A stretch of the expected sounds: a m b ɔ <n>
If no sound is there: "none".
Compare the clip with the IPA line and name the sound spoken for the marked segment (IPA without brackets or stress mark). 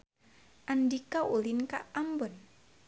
n